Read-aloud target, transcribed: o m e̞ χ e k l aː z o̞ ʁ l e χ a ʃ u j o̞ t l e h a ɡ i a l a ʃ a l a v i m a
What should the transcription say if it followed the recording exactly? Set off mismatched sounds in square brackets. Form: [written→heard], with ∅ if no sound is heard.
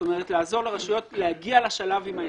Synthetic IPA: o m e̞ [χ→ʁ] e [k→t] l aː z o̞ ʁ l e [χ→ʁ] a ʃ u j o̞ t l e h a ɡ i a l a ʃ a l a v i m a